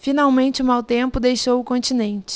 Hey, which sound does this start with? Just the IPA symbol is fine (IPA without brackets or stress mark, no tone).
f